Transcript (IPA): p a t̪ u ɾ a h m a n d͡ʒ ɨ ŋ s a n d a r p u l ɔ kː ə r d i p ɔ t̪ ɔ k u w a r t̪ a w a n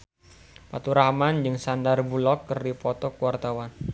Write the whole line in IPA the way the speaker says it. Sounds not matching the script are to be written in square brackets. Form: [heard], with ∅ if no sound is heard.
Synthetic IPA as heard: p a t̪ u ɾ a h m a n d͡ʒ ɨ ŋ s a n d a r [b] u l ɔ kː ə r d i p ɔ t̪ ɔ k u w a r t̪ a w a n